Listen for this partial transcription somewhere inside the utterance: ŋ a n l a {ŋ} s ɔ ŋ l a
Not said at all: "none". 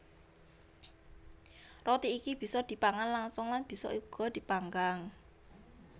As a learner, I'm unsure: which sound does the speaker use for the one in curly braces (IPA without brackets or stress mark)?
ŋ